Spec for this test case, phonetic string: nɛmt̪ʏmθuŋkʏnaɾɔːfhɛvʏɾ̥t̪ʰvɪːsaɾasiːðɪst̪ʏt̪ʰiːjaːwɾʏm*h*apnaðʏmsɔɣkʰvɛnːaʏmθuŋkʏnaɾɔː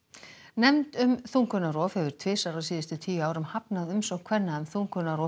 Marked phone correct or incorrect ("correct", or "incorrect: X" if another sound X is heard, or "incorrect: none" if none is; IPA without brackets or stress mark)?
correct